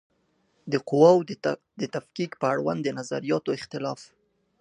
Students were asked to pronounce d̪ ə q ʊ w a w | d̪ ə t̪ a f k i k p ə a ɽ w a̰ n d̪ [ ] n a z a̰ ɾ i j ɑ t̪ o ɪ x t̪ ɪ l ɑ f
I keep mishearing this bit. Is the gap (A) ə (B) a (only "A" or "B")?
A